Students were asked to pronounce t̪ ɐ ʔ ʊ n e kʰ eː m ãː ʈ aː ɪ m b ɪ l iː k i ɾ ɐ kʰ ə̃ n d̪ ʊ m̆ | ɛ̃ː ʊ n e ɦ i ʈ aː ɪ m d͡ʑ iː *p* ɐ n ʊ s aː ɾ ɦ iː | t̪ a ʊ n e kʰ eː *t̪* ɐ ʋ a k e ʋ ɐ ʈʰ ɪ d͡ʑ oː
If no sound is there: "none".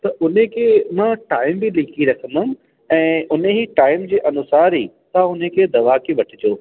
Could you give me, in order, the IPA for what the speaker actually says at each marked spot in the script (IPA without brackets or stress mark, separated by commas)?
ʔ, d̪